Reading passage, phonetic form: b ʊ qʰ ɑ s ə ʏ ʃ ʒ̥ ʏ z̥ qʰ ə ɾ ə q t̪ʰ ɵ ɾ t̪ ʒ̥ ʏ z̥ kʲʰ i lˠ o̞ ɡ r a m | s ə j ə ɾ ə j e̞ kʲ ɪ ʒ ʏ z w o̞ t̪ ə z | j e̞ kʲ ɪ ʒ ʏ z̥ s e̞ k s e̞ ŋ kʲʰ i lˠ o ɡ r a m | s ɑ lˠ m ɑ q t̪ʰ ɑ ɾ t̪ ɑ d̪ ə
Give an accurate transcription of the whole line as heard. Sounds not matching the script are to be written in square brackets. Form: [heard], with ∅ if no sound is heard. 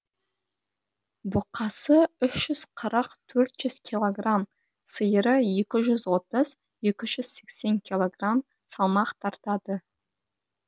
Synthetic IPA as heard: b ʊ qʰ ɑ s ə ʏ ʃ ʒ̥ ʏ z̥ qʰ ə ɾ ə q t̪ʰ ɵ ɾ t̪ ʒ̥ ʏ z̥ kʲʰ i lˠ o̞ ɡ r a m | s ə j ə ɾ ə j e̞ kʲ ɪ ʒ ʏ z w o̞ t̪ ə z | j e̞ kʲ ɪ ʒ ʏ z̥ s e̞ k s e̞ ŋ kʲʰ i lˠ o ɡ r a m | s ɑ lˠ m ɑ q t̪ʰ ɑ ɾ t̪ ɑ d̪ ə

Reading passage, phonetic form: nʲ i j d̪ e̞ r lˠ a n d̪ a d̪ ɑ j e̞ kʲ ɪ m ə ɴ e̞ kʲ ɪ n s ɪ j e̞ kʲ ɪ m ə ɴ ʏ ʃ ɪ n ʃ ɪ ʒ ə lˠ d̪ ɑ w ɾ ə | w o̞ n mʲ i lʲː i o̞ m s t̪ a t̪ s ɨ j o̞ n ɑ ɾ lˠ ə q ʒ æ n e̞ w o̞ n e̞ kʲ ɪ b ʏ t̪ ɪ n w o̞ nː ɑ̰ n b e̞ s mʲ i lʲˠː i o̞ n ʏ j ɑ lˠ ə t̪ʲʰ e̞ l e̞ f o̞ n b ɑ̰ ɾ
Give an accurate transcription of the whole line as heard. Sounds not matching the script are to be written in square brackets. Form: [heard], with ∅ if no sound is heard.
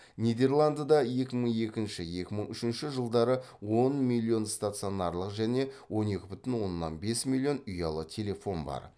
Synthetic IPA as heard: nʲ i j d̪ e̞ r lˠ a n d̪ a d̪ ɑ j e̞ kʲ ɪ m ə ɴ e̞ kʲ ɪ n [ʃ] ɪ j e̞ kʲ ɪ m ə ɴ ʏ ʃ ɪ n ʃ ɪ ʒ ə lˠ d̪ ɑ [∅] ɾ ə | w o̞ n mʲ i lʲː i o̞ [n] s t̪ a t̪ s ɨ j o̞ n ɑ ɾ lˠ ə q ʒ æ n e̞ w o̞ n e̞ kʲ ɪ b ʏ t̪ ɪ n w o̞ nː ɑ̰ n b e̞ s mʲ i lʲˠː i o̞ n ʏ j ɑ lˠ ə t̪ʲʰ e̞ l e̞ f o̞ n b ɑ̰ ɾ

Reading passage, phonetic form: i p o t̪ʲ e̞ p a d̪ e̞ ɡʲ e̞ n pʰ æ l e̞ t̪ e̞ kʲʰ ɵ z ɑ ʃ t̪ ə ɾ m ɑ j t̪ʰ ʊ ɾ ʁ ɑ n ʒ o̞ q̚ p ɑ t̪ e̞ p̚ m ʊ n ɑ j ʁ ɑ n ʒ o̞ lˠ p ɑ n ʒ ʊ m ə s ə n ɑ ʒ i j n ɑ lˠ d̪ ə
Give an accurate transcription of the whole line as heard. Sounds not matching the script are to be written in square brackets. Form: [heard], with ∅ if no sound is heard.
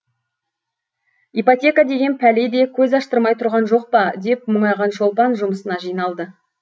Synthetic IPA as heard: i p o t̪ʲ e̞ [k] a d̪ e̞ ɡʲ e̞ n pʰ æ l e̞ [d̪] e̞ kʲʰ ɵ z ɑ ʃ t̪ ə ɾ m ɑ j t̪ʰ ʊ ɾ ʁ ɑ n ʒ o̞ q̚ p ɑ [d̪] e̞ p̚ m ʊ [ɴ] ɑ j ʁ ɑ n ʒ o̞ lˠ p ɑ n ʒ ʊ m ə s ə n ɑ ʒ i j n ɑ lˠ d̪ ə

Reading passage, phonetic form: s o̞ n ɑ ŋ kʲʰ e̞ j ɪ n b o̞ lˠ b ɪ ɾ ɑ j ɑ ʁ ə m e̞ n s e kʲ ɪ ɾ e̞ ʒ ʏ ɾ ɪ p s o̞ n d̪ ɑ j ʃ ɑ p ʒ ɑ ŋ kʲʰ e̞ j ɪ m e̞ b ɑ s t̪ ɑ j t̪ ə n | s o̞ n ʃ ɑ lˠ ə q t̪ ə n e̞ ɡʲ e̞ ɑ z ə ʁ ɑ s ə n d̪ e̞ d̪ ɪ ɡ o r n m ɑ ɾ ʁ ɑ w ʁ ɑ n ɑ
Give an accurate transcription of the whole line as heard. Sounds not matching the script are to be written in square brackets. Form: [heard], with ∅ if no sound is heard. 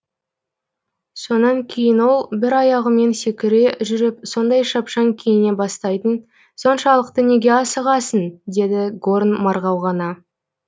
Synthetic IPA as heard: s o̞ n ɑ ŋ kʲʰ e̞ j ɪ n [w] o̞ lˠ b ɪ ɾ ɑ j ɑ ʁ ə m e̞ n s e kʲ ɪ ɾ e̞ ʒ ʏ ɾ ɪ p s o̞ n d̪ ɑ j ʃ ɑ p [ʃ] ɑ ŋ kʲʰ e̞ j ɪ [n] e̞ b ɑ s t̪ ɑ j t̪ ə n | s o̞ n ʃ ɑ lˠ ə q t̪ ə n e̞ ɡʲ e̞ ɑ [s] ə ʁ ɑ s ə n d̪ e̞ d̪ ɪ ɡ o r n m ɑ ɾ ʁ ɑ w ʁ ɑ n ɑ

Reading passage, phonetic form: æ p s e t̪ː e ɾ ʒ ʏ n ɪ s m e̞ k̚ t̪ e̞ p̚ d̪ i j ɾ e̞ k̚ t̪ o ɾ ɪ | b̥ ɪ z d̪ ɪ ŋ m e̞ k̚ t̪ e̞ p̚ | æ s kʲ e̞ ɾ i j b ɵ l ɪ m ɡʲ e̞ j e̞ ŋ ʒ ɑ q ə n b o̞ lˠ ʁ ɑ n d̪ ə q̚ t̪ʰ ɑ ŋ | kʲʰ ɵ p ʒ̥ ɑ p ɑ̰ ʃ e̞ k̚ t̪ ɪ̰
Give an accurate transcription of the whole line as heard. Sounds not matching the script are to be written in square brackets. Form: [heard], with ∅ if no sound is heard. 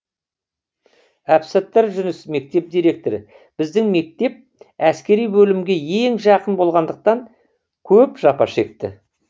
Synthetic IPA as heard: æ p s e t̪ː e ɾ ʒ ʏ n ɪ s m e̞ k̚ t̪ e̞ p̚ d̪ i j ɾ e̞ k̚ t̪ o ɾ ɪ | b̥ ɪ z d̪ ɪ ŋ m e̞ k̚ t̪ e̞ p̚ | æ s kʲ e̞ ɾ i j b ɵ l ɪ m ɡʲ e̞ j e̞ ŋ ʒ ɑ q ə n b o̞ lˠ ʁ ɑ n d̪ ə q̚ [t̪] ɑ ŋ | kʲʰ ɵ p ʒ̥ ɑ p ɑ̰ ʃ e̞ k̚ t̪ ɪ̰

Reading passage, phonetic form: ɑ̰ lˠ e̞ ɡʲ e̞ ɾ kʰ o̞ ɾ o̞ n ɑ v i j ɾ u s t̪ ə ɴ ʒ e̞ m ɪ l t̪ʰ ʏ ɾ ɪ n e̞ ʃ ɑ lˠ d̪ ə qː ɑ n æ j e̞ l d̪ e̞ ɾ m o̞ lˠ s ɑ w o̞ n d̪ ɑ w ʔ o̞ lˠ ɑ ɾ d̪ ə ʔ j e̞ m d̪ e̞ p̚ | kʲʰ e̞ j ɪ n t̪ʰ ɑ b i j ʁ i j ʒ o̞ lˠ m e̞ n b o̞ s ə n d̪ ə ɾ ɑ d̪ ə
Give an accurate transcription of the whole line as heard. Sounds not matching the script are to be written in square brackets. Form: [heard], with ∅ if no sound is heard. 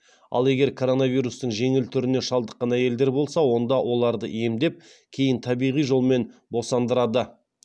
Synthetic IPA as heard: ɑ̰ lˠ e̞ ɡʲ e̞ ɾ kʰ o̞ ɾ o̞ n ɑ v i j ɾ u s t̪ ə ɴ ʒ e̞ [ŋ] ɪ l t̪ʰ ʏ ɾ ɪ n e̞ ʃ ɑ lˠ d̪ ə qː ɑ n æ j e̞ l d̪ e̞ ɾ [b] o̞ lˠ s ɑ w o̞ n d̪ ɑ w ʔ o̞ lˠ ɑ ɾ d̪ ə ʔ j e̞ m d̪ e̞ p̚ | kʲʰ e̞ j ɪ n t̪ʰ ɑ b i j ʁ i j ʒ o̞ lˠ m e̞ n b o̞ s [ɑ] n d̪ ə ɾ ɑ d̪ ə

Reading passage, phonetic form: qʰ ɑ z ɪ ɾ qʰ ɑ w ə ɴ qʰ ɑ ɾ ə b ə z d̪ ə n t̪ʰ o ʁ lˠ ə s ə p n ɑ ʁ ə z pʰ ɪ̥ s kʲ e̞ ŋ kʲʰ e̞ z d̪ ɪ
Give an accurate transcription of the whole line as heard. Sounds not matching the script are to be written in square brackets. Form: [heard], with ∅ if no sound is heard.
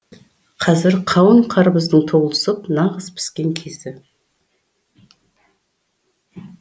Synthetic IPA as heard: qʰ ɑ z ɪ ɾ qʰ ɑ w ə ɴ qʰ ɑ ɾ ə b ə z d̪ ə [ɴ] t̪ʰ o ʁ lˠ ə s ə p n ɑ ʁ ə z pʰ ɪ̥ s kʲ e̞ ŋ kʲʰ e̞ z d̪ ɪ

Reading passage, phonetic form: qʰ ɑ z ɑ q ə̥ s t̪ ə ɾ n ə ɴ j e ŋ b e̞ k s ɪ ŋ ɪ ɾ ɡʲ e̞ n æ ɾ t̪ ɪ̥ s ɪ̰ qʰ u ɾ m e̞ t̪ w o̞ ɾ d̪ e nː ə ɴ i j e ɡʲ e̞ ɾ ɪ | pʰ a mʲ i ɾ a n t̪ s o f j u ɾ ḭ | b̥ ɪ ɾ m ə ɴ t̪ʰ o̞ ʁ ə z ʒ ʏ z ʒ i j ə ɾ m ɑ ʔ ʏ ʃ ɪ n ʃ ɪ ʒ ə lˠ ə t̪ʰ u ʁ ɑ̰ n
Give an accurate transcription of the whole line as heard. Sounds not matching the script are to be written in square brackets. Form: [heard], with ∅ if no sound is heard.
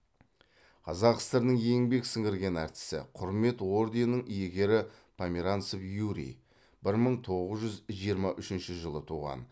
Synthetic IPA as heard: qʰ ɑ z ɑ q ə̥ s t̪ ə ɾ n ə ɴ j e ŋ b e̞ k s ɪ ŋ ɪ ɾ ɡʲ e̞ n æ ɾ t̪ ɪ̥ s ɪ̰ qʰ [ʊ] ɾ m e̞ t̪ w o̞ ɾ d̪ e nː ə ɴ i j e ɡʲ e̞ ɾ ɪ | pʰ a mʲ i ɾ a n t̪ s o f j u ɾ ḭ | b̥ ɪ ɾ m ə ɴ t̪ʰ o̞ ʁ ə z ʒ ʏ z ʒ i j ə ɾ m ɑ ʔ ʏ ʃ ɪ n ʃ ɪ ʒ ə lˠ ə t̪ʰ u ʁ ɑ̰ n

